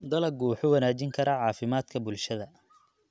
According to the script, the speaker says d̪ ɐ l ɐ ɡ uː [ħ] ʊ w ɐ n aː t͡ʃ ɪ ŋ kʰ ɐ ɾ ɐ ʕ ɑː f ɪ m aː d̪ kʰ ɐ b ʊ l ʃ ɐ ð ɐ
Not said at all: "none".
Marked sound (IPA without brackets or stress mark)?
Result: ħ